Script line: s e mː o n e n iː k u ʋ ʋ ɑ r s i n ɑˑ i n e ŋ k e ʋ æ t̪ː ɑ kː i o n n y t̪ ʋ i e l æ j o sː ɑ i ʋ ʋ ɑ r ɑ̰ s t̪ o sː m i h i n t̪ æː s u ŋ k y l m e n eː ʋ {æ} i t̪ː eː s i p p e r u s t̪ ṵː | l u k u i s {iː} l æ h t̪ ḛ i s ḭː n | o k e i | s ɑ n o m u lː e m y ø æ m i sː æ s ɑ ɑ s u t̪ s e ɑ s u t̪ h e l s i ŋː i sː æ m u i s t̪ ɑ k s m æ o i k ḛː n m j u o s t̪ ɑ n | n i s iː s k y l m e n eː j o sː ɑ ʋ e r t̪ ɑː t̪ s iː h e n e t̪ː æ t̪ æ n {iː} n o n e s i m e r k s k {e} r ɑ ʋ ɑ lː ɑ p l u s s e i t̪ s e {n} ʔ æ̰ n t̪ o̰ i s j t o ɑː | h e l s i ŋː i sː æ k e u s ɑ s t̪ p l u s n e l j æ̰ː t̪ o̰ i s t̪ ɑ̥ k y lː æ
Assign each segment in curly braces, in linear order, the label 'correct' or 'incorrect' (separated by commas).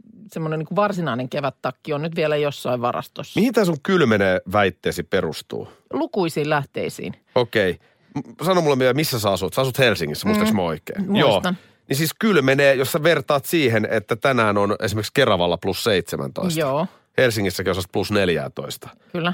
correct, correct, incorrect, correct, incorrect